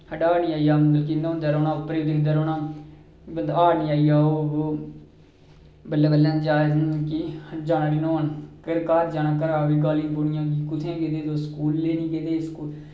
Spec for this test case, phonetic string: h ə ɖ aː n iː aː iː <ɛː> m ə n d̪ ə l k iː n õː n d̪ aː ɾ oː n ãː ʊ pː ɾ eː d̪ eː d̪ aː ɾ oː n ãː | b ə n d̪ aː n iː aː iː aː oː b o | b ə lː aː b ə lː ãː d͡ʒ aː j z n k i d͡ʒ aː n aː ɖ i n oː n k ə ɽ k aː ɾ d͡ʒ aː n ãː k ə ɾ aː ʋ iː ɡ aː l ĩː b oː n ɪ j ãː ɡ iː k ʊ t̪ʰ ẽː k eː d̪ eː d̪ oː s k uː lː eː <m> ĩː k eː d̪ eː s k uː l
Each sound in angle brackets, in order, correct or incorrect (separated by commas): incorrect, incorrect